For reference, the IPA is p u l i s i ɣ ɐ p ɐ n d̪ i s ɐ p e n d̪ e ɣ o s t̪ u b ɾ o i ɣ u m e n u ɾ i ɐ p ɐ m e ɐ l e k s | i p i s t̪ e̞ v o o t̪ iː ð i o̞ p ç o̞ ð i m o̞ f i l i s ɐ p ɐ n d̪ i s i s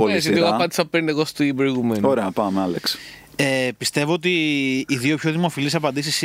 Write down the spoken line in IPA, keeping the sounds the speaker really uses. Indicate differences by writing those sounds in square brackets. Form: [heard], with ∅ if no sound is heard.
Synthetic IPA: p [o] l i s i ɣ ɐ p ɐ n d̪ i s ɐ p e n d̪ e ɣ o s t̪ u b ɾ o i ɣ u m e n [o] ɾ [e] ɐ p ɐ m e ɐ l e k s | [e] p i s t̪ e̞ v o o t̪ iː ð i o̞ p ç o̞ ð i m o̞ f i l i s ɐ p ɐ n d̪ i s i s